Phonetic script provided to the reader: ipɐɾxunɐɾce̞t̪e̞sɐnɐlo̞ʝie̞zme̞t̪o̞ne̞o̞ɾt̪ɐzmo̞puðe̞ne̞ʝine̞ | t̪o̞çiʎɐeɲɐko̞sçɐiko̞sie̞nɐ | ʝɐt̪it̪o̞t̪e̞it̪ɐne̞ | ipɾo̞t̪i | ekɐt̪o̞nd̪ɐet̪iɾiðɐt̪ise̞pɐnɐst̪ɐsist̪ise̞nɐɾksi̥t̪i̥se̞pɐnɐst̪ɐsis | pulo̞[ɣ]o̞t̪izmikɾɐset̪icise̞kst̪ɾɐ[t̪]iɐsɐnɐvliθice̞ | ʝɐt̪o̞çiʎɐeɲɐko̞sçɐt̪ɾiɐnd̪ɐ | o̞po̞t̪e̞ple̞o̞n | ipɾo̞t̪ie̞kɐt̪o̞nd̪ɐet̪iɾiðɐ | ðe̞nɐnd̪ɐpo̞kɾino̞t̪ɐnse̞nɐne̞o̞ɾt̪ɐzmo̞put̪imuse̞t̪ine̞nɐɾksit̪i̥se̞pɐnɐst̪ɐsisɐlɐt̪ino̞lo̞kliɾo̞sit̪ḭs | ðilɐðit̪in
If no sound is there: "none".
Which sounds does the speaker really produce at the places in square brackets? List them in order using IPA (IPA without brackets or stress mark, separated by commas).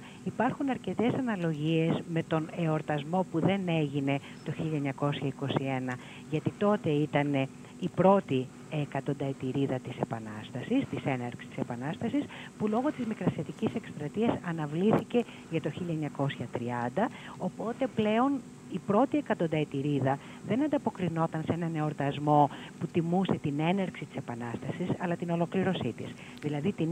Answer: ɣ, t̪